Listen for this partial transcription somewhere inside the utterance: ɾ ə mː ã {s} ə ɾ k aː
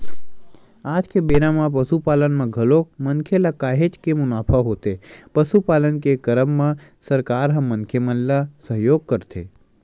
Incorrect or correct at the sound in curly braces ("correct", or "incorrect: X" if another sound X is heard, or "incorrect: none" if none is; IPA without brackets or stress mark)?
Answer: correct